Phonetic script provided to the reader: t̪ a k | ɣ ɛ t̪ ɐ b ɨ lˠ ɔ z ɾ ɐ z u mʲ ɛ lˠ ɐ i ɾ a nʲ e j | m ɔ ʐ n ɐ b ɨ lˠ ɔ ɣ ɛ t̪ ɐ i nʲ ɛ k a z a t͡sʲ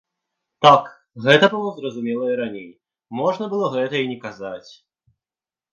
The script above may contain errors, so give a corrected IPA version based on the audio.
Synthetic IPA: t̪ a k | ɣ ɛ t̪ ɐ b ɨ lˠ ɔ z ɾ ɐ z u mʲ ɛ lˠ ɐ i ɾ a nʲ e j | m ɔ ʐ n ɐ b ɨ lˠ ɔ ɣ ɛ t̪ ɐ i nʲ ɛ k a z a t͡sʲ